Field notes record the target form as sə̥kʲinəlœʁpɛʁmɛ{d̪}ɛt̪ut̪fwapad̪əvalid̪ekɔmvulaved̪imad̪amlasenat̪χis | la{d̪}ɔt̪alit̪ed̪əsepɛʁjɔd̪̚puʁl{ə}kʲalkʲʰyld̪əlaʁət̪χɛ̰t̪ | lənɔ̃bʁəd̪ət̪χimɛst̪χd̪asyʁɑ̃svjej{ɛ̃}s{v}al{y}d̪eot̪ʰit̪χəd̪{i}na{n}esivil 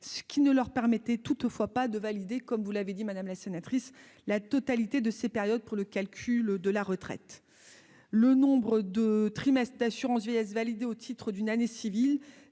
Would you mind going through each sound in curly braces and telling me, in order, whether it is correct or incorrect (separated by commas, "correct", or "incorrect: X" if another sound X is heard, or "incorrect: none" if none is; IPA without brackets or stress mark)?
incorrect: t̪, incorrect: t̪, correct, incorrect: ɛ, correct, incorrect: i, incorrect: y, correct